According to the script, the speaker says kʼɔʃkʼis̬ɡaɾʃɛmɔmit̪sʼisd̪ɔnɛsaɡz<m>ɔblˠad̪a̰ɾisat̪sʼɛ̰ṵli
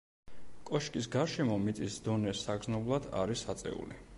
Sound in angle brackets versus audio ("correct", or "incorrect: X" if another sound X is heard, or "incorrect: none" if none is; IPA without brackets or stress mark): incorrect: n